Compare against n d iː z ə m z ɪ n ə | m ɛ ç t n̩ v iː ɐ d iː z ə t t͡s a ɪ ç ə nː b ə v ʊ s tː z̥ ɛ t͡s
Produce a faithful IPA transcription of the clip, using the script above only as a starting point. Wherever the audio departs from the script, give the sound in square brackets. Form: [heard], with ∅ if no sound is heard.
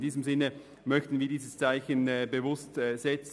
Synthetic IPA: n d iː z ə m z ɪ n ə | m [œ] ç t n̩ v iː ɐ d iː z ə [s] t͡s a ɪ ç ə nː b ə v ʊ s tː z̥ ɛ t͡s